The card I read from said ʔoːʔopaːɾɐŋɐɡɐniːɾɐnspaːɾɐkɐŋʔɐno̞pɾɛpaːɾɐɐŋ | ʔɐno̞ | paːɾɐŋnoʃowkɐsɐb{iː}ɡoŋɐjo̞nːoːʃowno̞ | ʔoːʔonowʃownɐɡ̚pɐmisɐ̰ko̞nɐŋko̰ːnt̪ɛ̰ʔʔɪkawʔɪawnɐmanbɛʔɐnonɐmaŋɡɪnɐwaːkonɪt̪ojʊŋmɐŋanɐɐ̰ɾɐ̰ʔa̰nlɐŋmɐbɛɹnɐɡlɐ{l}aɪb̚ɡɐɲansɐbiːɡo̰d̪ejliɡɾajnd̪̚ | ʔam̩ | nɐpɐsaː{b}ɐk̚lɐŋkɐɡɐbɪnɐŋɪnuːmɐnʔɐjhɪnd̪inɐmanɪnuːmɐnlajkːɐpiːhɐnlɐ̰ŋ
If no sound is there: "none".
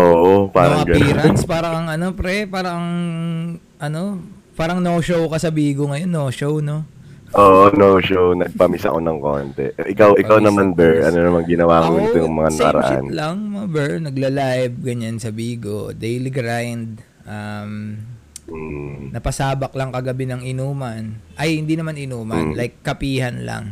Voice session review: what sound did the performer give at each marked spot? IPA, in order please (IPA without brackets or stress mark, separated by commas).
iː, l, b